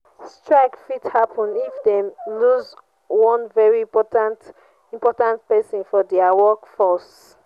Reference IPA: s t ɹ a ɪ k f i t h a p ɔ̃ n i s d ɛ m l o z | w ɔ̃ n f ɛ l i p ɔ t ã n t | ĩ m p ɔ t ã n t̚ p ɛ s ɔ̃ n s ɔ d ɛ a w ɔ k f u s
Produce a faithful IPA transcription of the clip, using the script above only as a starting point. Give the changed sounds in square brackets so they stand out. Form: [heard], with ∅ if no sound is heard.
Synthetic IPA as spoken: s t ɹ a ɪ k f i t h a p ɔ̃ n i [f] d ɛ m l [u] z | w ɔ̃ n [v] ɛ [ɹ] i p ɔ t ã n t | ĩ m p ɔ t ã n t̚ p ɛ s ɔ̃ n [f] ɔ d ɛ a w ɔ k f [ɔ] s